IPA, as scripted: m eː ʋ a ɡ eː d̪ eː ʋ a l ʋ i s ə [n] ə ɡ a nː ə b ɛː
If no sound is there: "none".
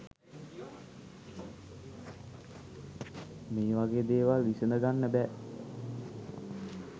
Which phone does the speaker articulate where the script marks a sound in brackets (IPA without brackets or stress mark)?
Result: n